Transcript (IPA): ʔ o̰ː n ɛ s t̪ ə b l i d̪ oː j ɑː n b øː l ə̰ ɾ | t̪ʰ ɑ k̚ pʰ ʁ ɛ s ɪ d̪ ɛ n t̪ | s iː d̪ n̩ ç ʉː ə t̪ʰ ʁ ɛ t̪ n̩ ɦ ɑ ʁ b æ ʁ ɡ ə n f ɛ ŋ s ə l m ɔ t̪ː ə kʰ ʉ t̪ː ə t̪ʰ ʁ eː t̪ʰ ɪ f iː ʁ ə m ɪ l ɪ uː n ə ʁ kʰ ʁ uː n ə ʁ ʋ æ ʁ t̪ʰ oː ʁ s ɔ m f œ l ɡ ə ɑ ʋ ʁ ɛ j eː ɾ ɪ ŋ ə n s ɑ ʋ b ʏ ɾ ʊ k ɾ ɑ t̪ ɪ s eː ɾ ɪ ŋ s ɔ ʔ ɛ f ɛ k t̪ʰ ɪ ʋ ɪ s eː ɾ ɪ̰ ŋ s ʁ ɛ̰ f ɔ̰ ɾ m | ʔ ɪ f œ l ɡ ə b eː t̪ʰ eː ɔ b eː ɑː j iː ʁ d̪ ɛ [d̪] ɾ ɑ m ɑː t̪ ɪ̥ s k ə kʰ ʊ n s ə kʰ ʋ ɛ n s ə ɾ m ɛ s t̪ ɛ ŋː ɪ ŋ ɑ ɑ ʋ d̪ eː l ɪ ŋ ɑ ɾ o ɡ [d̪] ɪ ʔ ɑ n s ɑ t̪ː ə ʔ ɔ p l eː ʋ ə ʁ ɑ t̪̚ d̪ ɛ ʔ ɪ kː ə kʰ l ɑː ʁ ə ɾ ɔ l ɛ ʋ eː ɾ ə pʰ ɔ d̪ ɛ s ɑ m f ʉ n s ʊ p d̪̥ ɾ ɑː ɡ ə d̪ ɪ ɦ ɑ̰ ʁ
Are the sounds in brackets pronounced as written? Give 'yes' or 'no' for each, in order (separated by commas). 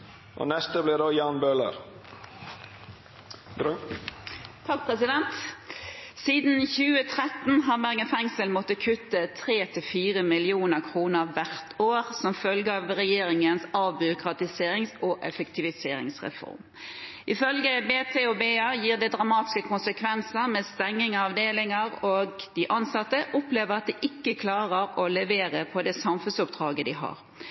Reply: yes, yes